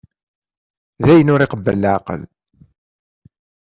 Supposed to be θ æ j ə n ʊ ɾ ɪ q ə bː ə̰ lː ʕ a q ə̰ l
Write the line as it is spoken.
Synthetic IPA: ð æ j ə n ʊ ɾ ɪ q ə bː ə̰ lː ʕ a q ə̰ l